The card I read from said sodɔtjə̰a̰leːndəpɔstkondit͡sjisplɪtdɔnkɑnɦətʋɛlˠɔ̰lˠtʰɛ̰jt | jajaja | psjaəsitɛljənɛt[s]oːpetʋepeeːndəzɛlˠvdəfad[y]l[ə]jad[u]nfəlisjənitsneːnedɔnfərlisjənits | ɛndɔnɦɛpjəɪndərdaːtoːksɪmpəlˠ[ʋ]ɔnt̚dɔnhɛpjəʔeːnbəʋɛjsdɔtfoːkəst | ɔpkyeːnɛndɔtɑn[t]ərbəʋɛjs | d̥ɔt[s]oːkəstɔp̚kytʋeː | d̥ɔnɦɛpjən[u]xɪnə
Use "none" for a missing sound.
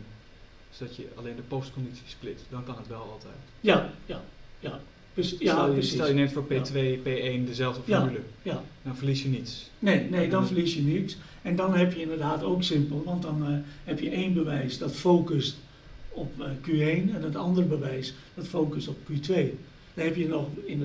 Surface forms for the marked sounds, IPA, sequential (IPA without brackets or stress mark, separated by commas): f, y, ə, ɔ, ʋ, d, f, ɔ